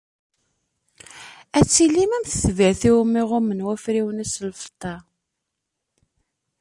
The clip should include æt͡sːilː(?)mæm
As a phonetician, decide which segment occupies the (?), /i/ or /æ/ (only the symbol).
i